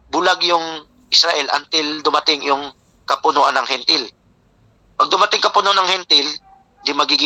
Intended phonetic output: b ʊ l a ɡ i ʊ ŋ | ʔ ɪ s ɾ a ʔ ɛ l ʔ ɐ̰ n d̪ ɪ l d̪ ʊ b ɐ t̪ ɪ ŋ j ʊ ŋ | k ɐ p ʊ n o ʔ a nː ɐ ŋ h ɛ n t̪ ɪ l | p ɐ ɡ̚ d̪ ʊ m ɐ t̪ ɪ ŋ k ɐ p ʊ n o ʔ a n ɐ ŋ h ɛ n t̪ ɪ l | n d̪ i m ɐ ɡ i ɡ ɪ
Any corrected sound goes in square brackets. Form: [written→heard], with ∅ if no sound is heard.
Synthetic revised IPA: b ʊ l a ɡ [i→j] ʊ ŋ | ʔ ɪ s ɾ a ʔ ɛ l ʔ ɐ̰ n [d̪→t̪] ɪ l d̪ ʊ [b→m] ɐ t̪ ɪ ŋ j ʊ ŋ | k ɐ p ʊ n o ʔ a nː ɐ ŋ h ɛ n t̪ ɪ l | p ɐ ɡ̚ d̪ ʊ m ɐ t̪ ɪ ŋ k ɐ p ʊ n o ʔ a n ɐ ŋ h ɛ n t̪ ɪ l | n d̪ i m ɐ ɡ i ɡ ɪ